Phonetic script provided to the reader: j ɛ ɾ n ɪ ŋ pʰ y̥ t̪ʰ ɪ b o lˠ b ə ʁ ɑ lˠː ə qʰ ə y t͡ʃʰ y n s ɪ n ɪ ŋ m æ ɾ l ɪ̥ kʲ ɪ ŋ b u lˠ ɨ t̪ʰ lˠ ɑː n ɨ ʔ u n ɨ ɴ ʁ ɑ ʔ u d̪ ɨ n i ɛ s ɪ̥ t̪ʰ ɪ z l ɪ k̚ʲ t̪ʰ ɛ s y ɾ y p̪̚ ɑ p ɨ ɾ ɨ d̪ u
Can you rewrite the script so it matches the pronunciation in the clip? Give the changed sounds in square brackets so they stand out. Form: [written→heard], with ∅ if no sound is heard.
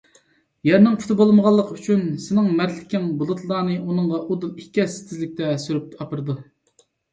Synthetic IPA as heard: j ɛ ɾ n ɪ ŋ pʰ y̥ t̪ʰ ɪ b o lˠ [b→m] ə ʁ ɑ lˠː ə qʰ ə y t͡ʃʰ y n s ɪ n ɪ ŋ m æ ɾ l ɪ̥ kʲ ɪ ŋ b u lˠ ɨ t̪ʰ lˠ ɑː n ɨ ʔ u n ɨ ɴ ʁ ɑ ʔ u d̪ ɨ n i ɛ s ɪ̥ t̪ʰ ɪ z l ɪ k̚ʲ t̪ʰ ɛ s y ɾ y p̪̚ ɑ p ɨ ɾ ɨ d̪ u

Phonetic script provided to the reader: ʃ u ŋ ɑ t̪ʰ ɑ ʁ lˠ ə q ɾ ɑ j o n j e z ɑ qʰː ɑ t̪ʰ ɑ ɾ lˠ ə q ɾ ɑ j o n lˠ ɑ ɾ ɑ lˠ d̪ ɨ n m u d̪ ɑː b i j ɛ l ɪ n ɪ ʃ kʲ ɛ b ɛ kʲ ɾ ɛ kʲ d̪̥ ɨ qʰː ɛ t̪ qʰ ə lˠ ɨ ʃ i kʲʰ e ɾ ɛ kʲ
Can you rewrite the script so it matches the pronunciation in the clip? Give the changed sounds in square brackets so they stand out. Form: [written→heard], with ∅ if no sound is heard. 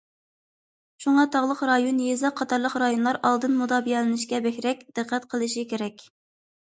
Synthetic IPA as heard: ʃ u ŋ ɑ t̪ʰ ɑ ʁ lˠ ə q ɾ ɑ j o n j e z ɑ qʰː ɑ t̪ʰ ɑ ɾ lˠ ə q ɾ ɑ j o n lˠ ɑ ɾ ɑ lˠ d̪ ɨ n m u d̪ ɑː b i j ɛ l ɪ n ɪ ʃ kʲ ɛ b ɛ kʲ ɾ ɛ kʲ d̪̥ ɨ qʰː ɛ t̪ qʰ ə lˠ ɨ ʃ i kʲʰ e ɾ ɛ kʲ

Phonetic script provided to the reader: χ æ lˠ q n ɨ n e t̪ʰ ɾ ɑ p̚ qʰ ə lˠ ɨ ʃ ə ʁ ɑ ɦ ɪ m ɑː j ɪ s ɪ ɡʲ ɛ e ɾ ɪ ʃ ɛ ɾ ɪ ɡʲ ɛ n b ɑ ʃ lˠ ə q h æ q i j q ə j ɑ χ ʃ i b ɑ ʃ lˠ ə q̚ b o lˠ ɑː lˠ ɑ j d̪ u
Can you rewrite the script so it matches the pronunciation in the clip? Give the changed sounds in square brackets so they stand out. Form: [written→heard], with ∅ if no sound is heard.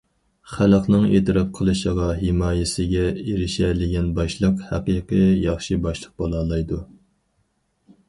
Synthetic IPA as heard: χ æ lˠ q n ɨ [n→ŋ] e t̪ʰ ɾ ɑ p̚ qʰ ə lˠ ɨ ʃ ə ʁ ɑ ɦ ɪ m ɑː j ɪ s ɪ ɡʲ ɛ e ɾ ɪ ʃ ɛ [ɾ→l] ɪ ɡʲ ɛ n b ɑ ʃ lˠ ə q h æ q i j q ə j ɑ χ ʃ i b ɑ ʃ lˠ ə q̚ b o lˠ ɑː lˠ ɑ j d̪ u

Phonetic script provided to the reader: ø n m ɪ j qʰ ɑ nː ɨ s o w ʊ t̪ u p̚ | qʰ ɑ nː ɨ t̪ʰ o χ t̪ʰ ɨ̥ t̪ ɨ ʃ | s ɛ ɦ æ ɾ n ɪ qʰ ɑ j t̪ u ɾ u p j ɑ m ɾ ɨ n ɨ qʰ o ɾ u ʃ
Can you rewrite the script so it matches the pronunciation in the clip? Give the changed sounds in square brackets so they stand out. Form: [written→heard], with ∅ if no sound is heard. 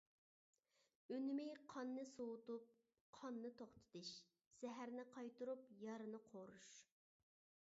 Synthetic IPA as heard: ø n m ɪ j qʰ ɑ nː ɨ s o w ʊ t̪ u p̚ | qʰ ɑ nː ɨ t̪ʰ o χ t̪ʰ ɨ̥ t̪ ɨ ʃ | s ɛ ɦ æ ɾ n ɪ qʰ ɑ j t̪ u ɾ u p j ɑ [m→∅] ɾ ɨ n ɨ qʰ o ɾ u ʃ

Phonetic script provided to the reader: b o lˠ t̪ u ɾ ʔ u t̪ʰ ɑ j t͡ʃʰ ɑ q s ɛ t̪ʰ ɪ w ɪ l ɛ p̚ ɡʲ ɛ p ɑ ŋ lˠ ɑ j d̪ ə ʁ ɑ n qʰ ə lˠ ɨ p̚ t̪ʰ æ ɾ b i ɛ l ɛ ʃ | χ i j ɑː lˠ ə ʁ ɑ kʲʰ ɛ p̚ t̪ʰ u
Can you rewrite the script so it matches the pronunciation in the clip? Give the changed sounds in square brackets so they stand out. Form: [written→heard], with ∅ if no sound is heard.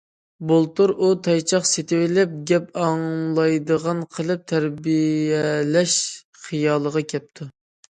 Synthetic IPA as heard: b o lˠ t̪ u ɾ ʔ u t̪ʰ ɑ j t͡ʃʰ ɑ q s [ɛ→e] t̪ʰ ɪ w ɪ l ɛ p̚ ɡʲ ɛ p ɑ ŋ lˠ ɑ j d̪ ə ʁ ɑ n qʰ ə lˠ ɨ p̚ t̪ʰ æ ɾ b i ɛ l ɛ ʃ | χ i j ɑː lˠ ə ʁ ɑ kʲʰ ɛ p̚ t̪ʰ u

